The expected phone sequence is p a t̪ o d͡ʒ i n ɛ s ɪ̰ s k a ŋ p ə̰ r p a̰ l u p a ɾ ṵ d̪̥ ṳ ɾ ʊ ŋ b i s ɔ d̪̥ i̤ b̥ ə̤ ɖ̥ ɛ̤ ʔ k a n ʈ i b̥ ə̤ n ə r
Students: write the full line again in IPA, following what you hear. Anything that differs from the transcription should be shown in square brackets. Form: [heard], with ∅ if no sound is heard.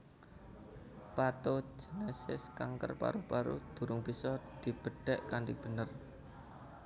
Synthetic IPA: p a t̪ o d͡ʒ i n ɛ s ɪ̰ s k a ŋ [k] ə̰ r p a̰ [ɾ] u p a ɾ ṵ d̪̥ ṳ ɾ ʊ ŋ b i s ɔ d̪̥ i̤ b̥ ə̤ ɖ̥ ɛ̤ ʔ k a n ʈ i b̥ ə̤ n ə r